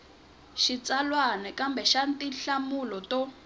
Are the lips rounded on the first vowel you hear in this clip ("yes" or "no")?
no